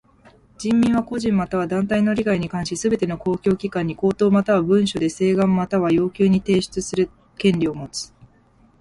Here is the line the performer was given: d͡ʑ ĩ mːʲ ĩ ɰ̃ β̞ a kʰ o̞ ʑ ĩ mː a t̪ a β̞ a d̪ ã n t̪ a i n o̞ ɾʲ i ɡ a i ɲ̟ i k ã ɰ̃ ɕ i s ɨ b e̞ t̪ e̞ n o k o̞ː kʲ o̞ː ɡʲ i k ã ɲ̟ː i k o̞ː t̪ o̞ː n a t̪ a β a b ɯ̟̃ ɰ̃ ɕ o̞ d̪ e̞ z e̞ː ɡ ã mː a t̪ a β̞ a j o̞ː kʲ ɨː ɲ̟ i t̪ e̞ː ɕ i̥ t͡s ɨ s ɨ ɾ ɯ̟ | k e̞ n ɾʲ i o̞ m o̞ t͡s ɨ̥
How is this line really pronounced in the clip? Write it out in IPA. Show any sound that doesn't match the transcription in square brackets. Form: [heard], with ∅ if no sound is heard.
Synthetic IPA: d͡ʑ ĩ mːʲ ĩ ɰ̃ β̞ a [k] o̞ ʑ ĩ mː a t̪ a β̞ a d̪ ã n t̪ a i n o̞ ɾʲ i ɡ a i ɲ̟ i k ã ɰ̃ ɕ i s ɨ b e̞ t̪ e̞ n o k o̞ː kʲ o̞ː [kʲ] i k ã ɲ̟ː i k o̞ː t̪ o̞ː [m] a t̪ a β a b ɯ̟̃ ɰ̃ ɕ o̞ d̪ e̞ [s] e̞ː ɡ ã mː a t̪ a β̞ a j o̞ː kʲ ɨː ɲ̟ i t̪ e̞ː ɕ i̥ t͡s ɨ s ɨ ɾ ɯ̟ | k [ẽ̞] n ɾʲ i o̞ m o̞ t͡s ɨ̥